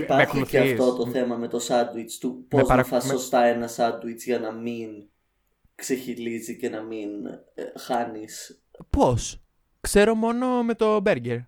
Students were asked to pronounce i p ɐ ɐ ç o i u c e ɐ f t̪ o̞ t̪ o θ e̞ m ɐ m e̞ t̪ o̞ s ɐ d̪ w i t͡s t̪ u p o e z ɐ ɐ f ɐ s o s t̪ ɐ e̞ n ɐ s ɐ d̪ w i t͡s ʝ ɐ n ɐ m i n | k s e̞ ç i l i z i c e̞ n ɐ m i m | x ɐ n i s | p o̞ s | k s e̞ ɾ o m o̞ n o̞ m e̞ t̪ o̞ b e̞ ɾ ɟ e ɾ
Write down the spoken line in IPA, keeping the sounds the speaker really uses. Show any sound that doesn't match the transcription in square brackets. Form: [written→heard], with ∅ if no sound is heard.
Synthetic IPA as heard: i p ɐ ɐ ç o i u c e ɐ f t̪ o̞ t̪ o θ e̞ m ɐ m e̞ t̪ o̞ s ɐ d̪ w i t͡s t̪ u p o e z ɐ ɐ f ɐ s o s t̪ ɐ e̞ n ɐ s ɐ d̪ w i t͡s ʝ ɐ n ɐ m i n | k s e̞ ç i l i z i c e̞ n ɐ m i [m→n] | x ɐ n i s | p o̞ s | k s e̞ ɾ o m o̞ n o̞ m e̞ t̪ o̞ b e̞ ɾ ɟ e ɾ